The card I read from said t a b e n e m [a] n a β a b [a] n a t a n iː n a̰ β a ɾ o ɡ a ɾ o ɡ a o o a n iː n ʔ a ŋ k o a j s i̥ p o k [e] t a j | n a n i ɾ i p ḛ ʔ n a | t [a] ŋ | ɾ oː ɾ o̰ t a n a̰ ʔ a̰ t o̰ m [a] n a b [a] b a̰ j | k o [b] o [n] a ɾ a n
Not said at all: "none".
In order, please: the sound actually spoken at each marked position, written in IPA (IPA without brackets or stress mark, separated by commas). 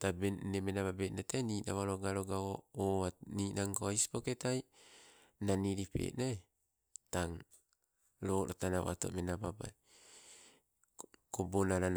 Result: e, e, e, a, e, a, b, n